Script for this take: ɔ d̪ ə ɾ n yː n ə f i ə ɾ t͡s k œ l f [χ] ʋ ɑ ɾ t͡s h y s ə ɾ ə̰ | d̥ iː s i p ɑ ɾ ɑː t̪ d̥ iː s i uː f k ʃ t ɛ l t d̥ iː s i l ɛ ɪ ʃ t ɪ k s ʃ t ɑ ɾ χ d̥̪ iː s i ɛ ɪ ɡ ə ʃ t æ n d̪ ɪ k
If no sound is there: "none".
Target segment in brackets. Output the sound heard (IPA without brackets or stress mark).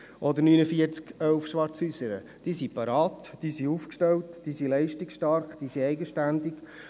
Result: ʃ